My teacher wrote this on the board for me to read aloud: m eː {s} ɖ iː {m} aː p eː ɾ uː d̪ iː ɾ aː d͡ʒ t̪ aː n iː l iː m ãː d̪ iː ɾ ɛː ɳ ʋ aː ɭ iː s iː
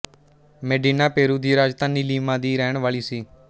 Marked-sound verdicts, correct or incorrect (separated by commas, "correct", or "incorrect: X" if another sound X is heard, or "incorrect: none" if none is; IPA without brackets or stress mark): incorrect: none, incorrect: n